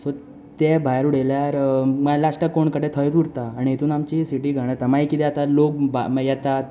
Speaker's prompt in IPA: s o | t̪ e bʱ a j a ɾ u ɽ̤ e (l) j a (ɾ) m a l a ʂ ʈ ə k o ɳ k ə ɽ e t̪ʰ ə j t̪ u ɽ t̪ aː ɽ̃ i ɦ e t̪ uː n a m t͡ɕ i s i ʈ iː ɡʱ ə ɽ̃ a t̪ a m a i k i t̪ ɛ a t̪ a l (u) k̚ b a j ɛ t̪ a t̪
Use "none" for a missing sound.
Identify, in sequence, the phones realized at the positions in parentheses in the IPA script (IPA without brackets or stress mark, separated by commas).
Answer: l, ɾ, o